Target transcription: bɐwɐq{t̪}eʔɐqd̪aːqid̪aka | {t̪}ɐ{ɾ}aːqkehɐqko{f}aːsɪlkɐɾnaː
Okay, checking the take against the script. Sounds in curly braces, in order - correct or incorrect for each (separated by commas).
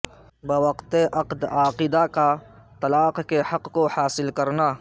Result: correct, correct, incorrect, incorrect